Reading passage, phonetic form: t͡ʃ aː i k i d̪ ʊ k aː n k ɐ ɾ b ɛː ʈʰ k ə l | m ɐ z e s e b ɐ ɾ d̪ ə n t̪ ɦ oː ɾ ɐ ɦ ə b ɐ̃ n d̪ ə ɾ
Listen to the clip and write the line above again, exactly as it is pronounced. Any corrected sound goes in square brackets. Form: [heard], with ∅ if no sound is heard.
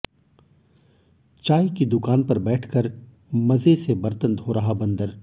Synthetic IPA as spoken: t͡ʃ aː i k i d̪ ʊ k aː n [p] ɐ ɾ b ɛː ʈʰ k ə [ɾ] | m ɐ z e s e b ɐ ɾ [t̪] ə n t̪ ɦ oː ɾ ɐ ɦ [a] b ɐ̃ n d̪ ə ɾ